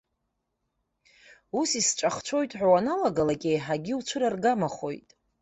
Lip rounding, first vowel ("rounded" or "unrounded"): rounded